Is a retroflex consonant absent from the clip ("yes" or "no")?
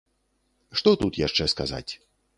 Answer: no